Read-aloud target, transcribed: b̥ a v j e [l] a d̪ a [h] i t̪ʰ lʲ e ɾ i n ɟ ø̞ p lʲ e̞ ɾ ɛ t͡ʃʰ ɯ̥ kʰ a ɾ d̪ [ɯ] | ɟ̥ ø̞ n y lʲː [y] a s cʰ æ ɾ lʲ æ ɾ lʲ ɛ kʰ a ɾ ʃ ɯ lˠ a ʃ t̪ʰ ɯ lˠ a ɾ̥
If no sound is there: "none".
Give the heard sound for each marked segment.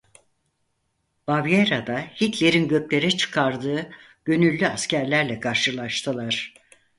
ɾ, h, ɯː, y

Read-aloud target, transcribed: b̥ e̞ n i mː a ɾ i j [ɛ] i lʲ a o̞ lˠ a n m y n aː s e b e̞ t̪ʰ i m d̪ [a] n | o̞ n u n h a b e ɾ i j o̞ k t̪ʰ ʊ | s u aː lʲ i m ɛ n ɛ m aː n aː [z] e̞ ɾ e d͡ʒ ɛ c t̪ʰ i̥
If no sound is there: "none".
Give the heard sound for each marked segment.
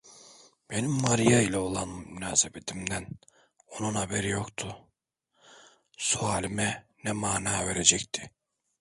a, æ, v

